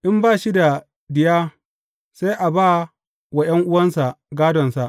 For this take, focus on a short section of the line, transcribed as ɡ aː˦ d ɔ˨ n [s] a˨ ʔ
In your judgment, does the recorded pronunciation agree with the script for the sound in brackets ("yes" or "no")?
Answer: yes